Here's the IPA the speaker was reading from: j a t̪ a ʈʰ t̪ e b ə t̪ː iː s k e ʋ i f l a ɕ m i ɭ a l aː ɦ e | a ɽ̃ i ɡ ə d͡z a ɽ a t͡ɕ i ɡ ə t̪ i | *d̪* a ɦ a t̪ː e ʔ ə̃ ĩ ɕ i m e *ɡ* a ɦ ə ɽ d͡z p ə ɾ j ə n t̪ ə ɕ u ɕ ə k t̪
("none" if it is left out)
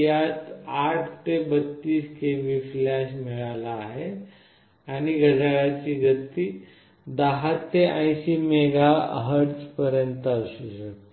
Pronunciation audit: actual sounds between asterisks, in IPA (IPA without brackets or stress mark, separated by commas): d̪, ɡ